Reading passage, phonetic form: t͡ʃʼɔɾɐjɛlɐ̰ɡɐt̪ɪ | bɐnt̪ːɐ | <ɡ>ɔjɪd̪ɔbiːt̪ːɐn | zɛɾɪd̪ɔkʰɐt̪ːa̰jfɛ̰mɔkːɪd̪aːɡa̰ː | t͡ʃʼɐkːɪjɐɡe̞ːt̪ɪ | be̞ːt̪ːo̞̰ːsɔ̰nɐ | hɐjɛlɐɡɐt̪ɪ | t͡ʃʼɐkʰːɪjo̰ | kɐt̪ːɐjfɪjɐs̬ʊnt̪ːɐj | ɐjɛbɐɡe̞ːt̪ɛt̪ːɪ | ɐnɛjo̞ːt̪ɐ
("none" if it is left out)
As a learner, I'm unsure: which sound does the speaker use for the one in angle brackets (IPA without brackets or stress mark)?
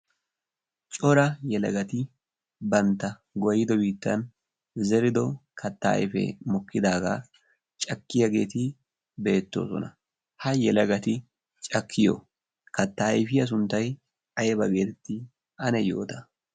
ɡ